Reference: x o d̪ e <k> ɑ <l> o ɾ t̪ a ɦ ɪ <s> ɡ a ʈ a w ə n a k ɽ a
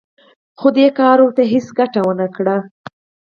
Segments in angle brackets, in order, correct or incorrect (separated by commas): correct, incorrect, correct